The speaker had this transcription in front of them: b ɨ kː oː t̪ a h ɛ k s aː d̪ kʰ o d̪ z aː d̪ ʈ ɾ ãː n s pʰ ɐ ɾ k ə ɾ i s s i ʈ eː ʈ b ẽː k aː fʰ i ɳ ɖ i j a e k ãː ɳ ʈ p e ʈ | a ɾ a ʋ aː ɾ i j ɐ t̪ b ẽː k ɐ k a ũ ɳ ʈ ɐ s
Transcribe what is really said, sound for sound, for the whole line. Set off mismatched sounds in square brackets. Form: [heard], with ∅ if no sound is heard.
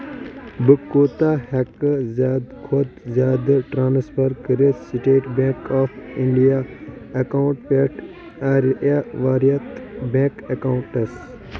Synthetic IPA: b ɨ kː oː t̪ a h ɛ k [z] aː d̪ kʰ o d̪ z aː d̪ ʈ ɾ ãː n s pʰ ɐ ɾ k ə ɾ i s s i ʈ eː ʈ b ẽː k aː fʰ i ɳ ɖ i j a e k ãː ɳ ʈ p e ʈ | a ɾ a ʋ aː ɾ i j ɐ t̪ b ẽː k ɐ k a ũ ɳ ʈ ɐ s